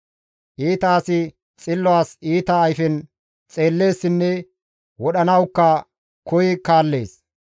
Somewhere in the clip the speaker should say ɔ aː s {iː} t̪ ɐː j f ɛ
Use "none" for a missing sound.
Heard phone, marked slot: iː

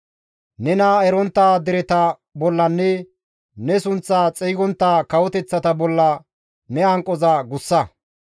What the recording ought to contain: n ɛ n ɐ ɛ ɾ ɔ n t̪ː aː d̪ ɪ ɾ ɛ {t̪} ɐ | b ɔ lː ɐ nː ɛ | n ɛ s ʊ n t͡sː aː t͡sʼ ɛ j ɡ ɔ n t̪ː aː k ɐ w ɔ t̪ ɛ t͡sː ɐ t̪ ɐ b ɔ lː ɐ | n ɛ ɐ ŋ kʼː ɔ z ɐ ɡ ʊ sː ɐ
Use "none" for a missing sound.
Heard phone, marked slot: t̪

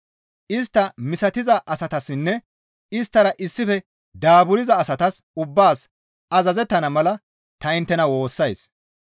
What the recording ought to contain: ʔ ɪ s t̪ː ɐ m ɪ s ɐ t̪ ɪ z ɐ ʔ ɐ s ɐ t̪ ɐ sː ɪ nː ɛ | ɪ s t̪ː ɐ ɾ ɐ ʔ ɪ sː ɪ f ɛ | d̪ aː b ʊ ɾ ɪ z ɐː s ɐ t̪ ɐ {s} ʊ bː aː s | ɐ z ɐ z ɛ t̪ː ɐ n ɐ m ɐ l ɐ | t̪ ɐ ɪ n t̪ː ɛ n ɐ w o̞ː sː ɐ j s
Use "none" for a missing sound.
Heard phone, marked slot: s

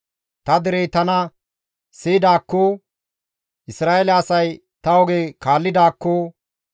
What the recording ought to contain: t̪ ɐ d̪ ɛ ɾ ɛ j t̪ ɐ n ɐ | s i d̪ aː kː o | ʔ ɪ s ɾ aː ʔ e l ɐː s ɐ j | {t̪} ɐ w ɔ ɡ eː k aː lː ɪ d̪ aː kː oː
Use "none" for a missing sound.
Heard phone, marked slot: t̪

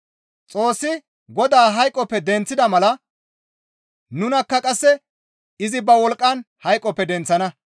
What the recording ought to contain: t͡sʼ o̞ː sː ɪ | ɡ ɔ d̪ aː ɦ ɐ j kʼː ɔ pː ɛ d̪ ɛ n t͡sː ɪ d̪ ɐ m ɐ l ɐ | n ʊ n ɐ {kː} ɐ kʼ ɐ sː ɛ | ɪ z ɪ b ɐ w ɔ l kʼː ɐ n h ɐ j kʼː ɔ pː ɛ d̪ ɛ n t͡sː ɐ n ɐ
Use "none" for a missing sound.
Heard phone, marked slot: kː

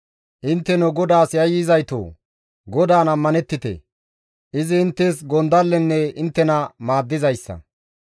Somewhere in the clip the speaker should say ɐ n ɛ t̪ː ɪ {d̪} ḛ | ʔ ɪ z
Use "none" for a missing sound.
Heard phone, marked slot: t̪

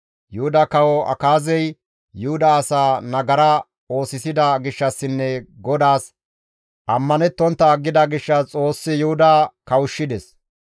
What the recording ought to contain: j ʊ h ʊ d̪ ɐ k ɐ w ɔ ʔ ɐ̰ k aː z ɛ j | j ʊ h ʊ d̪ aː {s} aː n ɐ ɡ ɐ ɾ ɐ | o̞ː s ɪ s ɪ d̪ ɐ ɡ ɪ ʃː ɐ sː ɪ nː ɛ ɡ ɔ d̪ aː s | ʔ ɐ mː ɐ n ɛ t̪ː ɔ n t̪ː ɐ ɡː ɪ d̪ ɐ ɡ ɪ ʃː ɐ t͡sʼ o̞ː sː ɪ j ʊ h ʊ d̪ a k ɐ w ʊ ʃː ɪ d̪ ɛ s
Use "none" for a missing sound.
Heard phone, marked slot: s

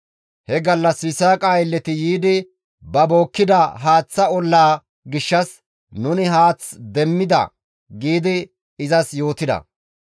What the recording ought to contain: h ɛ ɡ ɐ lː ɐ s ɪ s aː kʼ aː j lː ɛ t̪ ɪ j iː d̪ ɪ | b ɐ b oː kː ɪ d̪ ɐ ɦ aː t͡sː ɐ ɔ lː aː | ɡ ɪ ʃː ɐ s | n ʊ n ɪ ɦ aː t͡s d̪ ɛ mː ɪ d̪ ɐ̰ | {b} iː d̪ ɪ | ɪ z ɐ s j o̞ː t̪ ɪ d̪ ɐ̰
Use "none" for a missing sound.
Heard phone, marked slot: ɡ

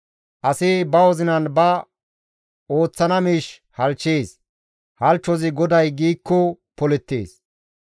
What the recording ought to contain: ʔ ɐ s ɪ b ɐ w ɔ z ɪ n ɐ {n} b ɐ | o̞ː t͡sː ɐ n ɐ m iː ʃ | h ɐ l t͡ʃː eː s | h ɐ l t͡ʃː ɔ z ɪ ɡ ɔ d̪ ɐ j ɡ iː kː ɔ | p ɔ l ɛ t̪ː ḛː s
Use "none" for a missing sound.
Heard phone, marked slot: n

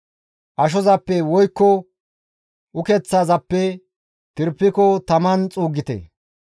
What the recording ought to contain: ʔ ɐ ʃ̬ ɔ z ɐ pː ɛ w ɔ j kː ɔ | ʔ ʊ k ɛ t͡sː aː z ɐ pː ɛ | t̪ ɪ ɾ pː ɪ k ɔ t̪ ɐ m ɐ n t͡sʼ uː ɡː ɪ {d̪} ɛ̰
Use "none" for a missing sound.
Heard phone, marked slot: t̪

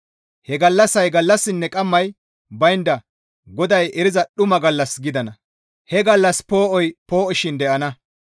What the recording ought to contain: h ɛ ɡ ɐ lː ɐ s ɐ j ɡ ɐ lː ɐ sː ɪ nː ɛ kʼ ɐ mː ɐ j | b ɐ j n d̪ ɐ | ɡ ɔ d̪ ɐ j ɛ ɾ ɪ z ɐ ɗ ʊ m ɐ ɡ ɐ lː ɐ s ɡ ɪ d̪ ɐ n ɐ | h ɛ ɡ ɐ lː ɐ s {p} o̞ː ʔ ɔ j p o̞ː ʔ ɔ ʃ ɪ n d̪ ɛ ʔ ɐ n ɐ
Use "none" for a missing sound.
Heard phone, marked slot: p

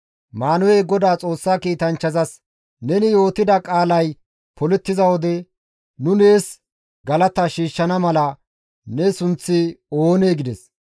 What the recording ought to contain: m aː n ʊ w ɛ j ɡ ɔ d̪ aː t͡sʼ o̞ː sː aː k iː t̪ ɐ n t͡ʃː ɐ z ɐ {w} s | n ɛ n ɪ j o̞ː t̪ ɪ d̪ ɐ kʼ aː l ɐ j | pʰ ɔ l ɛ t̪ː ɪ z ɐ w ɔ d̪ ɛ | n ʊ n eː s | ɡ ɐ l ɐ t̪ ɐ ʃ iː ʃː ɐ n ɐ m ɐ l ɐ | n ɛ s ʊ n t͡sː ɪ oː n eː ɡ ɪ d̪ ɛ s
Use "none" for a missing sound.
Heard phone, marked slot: none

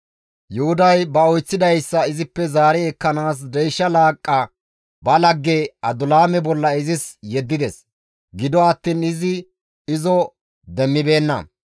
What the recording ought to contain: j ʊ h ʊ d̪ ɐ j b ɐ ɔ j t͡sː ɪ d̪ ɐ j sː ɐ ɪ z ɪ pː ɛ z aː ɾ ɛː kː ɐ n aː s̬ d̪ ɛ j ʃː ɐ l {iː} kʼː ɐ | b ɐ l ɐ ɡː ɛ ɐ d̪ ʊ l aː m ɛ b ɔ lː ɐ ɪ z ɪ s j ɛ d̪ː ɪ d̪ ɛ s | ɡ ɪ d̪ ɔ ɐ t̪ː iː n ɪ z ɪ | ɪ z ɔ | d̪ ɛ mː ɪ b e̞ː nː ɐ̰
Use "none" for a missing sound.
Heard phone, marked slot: aː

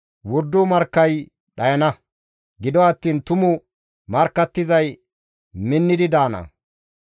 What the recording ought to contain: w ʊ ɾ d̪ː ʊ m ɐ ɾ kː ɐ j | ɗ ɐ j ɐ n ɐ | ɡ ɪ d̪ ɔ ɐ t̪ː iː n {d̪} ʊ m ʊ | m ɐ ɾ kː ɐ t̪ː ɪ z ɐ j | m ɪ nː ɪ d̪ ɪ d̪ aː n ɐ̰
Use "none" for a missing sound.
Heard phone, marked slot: t̪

